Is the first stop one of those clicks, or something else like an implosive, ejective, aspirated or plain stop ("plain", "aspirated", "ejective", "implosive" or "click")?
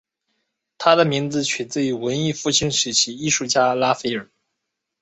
aspirated